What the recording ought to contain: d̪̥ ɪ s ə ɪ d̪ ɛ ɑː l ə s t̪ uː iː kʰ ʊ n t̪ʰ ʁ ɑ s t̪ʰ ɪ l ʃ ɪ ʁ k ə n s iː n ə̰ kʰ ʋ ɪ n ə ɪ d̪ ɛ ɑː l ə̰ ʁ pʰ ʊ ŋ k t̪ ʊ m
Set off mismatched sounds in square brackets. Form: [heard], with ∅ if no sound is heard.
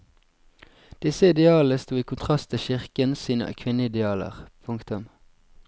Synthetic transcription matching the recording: d̪̥ ɪ s ə ɪ d̪ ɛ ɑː l ə s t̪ uː iː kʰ ʊ n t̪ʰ ʁ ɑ s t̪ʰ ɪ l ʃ ɪ ʁ k ə n s iː n ə̰ kʰ ʋ ɪ n ə ɪ d̪ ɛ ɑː l ə̰ ʁ pʰ ʊ ŋ k t̪ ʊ m